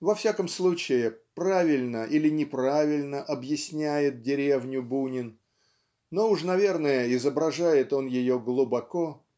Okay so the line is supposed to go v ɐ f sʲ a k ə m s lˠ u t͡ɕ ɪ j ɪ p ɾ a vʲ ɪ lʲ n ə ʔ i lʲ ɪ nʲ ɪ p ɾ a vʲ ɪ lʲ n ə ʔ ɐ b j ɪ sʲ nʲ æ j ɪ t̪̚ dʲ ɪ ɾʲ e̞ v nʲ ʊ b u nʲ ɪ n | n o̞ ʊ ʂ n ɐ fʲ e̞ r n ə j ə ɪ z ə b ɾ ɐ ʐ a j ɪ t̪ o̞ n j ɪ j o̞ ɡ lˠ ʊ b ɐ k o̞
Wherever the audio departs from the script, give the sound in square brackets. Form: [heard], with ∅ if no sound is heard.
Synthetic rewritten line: v ɐ f sʲ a k ə m s lˠ u t͡ɕ ɪ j ɪ p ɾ a vʲ ɪ lʲ n ə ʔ i lʲ ɪ nʲ ɪ p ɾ a vʲ ɪ lʲ n ə ʔ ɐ b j ɪ sʲ nʲ æ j ɪ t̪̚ dʲ ɪ ɾʲ e̞ v nʲ ʊ b u nʲ ɪ n | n o̞ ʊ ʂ n ɐ [vʲ] e̞ r n ə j ə ɪ z ə b ɾ ɐ ʐ a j ɪ t̪ o̞ n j ɪ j o̞ ɡ lˠ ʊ b ɐ k o̞